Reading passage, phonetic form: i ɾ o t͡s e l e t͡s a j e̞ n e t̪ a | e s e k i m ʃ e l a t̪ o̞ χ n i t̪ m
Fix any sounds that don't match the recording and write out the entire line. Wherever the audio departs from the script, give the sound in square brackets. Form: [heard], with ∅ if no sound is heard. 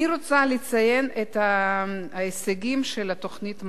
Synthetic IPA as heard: i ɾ o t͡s [a] l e t͡s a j e̞ n e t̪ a | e s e [ɡ] i m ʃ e l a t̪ o̞ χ n i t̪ m